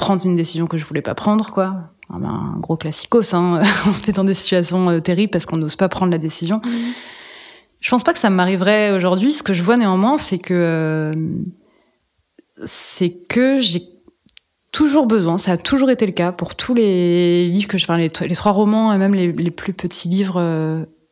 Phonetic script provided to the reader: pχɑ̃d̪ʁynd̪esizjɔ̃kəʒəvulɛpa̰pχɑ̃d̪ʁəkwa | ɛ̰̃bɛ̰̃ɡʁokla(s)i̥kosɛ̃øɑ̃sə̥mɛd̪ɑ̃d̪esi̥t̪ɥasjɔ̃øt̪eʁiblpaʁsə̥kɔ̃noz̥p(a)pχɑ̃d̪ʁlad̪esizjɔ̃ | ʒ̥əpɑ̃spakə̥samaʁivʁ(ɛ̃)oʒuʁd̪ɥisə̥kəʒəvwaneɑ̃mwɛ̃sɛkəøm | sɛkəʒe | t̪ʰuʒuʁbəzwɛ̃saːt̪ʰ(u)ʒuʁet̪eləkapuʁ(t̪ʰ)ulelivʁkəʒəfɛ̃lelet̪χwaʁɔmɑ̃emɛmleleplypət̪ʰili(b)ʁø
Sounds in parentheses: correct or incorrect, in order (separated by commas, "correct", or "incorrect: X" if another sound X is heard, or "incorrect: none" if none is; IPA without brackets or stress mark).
correct, correct, incorrect: ɛ, correct, correct, incorrect: v